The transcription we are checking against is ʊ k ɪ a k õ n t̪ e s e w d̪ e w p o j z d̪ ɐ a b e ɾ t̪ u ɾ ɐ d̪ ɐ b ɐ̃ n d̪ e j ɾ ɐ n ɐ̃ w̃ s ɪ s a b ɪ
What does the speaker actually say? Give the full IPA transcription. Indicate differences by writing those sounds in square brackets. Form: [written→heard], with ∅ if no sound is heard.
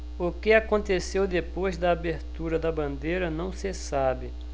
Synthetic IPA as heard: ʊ k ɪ a k õ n t̪ e s e w d̪ e [w→∅] p o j z d̪ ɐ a b e ɾ t̪ u ɾ ɐ d̪ ɐ b ɐ̃ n d̪ e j ɾ ɐ n ɐ̃ w̃ s ɪ s a b ɪ